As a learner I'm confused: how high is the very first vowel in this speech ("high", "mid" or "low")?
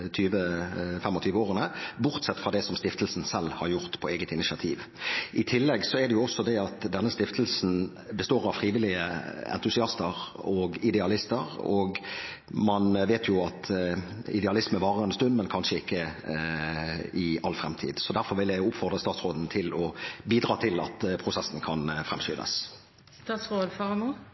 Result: high